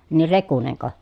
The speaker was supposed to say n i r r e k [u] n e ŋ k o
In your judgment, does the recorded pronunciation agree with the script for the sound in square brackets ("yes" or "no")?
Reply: yes